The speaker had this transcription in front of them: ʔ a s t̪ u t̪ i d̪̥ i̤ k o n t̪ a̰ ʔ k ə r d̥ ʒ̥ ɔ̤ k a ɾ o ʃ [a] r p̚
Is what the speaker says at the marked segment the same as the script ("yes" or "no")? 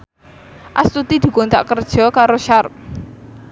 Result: yes